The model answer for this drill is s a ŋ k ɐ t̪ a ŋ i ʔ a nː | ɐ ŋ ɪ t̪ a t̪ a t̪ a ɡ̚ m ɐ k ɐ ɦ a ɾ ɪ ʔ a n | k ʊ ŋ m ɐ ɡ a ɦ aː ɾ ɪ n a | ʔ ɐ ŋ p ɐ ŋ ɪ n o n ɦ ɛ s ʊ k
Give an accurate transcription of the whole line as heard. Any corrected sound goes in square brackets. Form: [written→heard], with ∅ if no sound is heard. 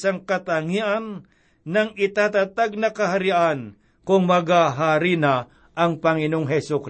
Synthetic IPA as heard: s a ŋ k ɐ t̪ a ŋ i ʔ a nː | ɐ ŋ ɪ t̪ a t̪ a t̪ a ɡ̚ [m→n] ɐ k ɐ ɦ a ɾ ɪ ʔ a n | k ʊ ŋ m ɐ ɡ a ɦ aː ɾ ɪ n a | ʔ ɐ ŋ p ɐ ŋ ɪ n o [n→ŋ] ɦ ɛ s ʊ k